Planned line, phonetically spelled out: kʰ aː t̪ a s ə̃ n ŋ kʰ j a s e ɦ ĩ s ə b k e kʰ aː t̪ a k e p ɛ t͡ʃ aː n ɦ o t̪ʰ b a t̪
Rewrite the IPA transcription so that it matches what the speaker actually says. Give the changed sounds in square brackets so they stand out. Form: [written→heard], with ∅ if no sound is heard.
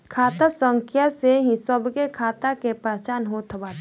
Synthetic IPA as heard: kʰ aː t̪ a s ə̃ [n→∅] ŋ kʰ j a s e ɦ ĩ s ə b k e kʰ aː t̪ a k e p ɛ t͡ʃ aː n ɦ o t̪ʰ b a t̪